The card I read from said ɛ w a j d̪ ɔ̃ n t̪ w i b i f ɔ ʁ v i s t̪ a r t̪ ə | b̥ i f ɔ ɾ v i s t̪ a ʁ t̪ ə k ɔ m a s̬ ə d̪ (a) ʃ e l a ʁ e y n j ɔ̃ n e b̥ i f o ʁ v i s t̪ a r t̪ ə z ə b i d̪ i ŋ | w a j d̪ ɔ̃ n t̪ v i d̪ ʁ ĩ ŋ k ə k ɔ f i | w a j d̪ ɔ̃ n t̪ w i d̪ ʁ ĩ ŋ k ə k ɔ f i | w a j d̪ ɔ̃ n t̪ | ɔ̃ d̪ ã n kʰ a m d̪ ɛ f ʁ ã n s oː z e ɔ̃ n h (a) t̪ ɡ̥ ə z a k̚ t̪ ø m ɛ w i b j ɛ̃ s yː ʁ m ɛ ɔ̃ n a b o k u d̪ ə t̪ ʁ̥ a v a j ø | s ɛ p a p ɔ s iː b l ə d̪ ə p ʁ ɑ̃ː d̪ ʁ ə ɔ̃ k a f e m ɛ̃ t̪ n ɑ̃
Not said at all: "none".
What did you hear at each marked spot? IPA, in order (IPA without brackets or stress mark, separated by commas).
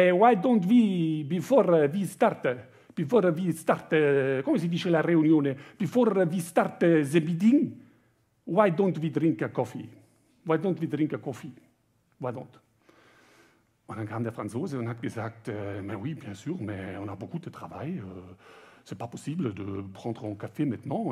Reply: i, a